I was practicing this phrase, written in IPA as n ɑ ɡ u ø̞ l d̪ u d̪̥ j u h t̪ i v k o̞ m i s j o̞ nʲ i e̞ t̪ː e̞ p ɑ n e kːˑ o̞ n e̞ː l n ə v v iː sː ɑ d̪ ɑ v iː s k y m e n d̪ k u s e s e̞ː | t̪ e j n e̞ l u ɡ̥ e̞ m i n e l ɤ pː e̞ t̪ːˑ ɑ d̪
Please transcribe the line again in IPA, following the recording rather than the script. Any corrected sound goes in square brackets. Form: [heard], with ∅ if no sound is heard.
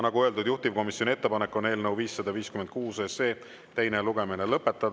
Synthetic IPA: n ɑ ɡ u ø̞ l d̪ u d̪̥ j u h t̪ i v k o̞ m i s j o̞ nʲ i e̞ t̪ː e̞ p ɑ n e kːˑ o̞ n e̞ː l n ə [w] v iː sː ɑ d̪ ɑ v iː s k y m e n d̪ k [uː] s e s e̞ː | t̪ e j n e̞ l u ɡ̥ e̞ m i n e l ɤ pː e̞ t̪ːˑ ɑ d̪